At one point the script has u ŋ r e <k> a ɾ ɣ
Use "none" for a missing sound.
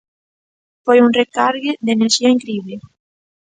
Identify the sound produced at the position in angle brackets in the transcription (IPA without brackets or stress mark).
k